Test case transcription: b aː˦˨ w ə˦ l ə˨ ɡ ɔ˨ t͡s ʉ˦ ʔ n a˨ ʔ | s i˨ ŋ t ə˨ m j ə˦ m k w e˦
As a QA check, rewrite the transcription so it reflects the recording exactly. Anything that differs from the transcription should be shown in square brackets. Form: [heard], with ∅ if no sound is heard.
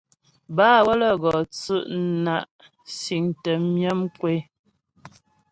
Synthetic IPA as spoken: b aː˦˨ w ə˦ l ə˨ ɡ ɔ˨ t͡s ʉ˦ ʔ n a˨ ʔ | s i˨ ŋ t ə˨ m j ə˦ m k w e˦